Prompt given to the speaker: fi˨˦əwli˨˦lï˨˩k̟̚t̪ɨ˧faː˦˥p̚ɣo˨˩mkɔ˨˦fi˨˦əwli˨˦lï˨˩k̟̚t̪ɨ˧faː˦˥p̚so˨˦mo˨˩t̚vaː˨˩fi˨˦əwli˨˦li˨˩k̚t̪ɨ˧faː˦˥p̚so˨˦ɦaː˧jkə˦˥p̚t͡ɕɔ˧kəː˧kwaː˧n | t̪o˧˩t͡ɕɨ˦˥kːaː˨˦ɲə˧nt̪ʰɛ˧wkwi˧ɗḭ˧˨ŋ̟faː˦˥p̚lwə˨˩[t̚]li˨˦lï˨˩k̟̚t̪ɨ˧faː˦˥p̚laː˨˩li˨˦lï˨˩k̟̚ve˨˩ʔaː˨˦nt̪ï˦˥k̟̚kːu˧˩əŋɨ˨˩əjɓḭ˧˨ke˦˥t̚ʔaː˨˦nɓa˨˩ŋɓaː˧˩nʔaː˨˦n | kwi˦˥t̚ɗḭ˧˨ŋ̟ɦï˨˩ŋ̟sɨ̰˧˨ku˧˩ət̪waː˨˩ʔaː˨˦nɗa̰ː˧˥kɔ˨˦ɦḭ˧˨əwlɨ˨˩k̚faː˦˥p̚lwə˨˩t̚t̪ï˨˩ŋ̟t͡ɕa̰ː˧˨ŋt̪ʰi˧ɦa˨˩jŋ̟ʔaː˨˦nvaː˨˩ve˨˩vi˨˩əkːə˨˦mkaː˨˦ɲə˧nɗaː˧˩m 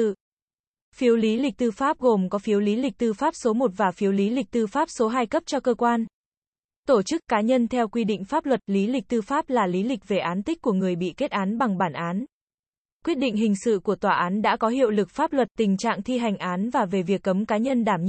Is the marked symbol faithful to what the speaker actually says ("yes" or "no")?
yes